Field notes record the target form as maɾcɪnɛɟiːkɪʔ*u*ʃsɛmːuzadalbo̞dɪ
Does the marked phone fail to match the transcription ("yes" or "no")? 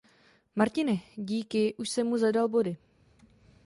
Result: no